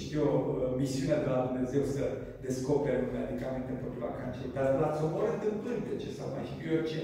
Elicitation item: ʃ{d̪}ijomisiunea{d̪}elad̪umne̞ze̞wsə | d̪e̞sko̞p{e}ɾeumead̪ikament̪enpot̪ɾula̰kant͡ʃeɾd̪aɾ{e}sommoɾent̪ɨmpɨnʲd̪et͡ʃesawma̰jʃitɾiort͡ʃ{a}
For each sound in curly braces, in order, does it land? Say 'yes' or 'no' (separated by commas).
no, yes, yes, no, no